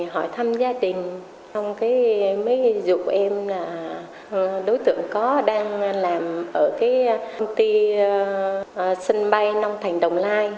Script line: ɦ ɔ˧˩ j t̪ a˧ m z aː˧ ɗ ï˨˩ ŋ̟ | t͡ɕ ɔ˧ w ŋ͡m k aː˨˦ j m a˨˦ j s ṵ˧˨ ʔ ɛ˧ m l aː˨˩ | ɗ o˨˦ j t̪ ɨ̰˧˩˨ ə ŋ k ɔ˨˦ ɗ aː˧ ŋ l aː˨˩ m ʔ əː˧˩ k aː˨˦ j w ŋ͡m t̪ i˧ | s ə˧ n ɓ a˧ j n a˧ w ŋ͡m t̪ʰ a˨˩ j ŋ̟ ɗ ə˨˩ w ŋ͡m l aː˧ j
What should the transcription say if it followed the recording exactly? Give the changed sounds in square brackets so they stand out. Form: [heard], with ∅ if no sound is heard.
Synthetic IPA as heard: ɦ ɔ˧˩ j [t̪ʰ] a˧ m z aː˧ ɗ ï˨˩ ŋ̟ | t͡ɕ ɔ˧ w ŋ͡m k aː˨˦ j m [ə˨˦] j [z] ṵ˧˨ ʔ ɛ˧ m l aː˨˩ | ɗ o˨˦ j t̪ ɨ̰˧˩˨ ə ŋ k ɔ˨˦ ɗ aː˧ ŋ l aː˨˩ m ʔ əː˧˩ k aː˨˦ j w ŋ͡m t̪ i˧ | s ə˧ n ɓ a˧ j n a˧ w ŋ͡m t̪ʰ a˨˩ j ŋ̟ ɗ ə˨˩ w ŋ͡m l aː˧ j